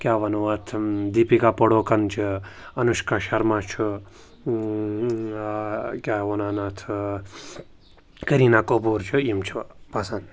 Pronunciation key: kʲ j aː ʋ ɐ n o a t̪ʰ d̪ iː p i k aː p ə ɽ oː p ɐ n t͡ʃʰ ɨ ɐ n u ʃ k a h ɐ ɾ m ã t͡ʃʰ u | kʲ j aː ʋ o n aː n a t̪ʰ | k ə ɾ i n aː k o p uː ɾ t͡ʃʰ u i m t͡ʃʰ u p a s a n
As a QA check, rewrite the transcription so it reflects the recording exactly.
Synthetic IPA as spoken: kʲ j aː ʋ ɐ n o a t̪ʰ d̪ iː p i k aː p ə ɽ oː k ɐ n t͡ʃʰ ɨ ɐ n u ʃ k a ʃ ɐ ɾ m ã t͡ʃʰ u | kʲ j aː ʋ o n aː n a t̪ʰ | k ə ɾ i n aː k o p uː ɾ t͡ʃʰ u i m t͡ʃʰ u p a s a n